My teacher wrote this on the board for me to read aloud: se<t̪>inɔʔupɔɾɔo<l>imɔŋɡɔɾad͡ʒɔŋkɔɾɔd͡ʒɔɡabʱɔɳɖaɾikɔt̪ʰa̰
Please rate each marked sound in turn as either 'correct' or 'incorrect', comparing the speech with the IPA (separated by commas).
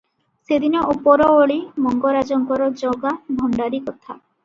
incorrect, incorrect